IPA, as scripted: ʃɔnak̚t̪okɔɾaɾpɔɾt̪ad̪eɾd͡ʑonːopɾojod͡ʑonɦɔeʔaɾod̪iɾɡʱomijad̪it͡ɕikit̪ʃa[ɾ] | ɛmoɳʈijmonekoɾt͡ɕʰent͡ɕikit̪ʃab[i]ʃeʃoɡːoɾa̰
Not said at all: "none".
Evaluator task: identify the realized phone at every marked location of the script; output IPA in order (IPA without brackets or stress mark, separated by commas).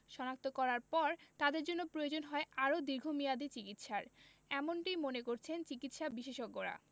ɾ, i